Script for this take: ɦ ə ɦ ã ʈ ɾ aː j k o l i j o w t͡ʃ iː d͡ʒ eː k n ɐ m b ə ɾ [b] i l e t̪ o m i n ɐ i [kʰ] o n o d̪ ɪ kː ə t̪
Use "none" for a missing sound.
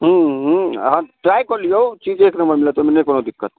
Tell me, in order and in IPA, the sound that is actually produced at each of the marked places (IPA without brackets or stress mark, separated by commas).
m, k